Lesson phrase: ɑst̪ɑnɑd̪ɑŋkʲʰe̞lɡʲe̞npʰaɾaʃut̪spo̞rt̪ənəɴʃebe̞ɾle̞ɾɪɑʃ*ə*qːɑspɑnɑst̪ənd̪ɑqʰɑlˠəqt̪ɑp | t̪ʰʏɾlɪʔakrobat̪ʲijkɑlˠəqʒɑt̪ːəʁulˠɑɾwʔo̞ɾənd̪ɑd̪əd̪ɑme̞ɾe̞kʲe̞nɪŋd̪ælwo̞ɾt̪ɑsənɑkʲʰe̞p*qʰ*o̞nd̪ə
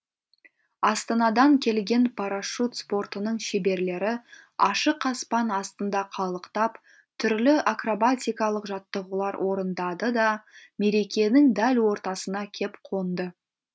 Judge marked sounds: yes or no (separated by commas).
yes, yes